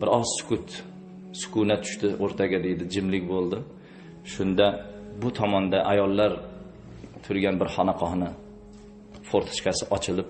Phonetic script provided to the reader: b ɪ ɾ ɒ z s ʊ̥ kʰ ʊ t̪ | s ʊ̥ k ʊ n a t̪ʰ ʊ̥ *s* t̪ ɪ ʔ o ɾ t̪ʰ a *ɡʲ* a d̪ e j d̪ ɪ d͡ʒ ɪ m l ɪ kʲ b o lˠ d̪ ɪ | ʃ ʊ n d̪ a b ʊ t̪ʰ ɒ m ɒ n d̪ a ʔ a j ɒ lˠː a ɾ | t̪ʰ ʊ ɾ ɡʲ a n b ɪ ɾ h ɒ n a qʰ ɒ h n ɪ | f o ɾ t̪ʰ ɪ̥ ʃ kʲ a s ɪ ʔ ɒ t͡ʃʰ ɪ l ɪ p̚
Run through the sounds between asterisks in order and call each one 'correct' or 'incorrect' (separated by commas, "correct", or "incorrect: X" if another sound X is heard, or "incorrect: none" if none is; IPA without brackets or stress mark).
incorrect: ʃ, correct